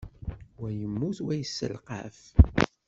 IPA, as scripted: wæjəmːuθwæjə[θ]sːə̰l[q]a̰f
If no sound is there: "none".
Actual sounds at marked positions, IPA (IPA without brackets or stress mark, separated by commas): none, q